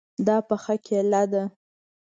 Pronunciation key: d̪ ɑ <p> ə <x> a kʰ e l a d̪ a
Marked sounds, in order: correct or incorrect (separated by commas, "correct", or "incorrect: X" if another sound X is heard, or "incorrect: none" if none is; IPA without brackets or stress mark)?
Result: correct, correct